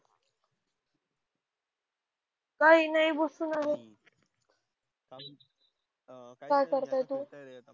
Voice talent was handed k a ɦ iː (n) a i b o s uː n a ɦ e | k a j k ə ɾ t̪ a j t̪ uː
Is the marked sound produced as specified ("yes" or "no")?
yes